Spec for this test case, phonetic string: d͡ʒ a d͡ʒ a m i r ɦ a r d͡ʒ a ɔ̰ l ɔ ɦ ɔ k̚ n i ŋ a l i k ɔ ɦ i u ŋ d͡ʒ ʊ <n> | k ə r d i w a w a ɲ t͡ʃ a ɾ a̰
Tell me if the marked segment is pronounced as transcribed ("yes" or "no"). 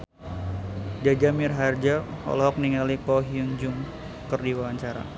no